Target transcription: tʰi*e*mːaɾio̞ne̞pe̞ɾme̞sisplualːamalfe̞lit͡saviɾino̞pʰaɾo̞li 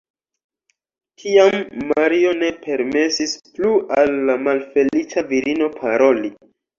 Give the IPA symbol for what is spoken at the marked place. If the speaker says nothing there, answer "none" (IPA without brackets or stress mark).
a